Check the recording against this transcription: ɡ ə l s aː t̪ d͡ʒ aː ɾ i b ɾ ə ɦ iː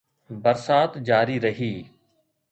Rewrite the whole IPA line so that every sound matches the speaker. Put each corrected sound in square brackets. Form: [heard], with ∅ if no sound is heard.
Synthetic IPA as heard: [b] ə [ɾ] s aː t̪ d͡ʒ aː ɾ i [∅] ɾ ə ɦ iː